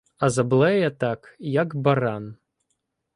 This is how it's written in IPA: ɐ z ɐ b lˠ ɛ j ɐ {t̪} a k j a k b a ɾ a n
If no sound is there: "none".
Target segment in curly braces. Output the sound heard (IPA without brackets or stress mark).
t̪